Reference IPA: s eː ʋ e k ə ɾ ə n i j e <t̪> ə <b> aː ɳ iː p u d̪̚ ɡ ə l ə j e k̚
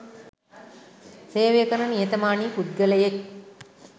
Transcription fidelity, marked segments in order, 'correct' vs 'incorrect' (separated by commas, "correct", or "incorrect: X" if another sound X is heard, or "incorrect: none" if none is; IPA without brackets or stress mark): correct, incorrect: m